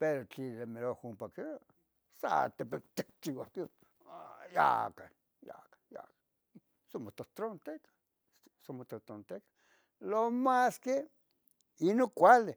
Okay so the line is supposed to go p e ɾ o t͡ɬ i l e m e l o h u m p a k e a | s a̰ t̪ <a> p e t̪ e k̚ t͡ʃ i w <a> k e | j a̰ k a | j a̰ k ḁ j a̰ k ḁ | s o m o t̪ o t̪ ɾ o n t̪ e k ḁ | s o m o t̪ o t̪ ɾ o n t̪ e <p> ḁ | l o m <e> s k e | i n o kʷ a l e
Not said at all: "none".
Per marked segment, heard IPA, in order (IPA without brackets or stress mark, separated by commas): e, a, k, a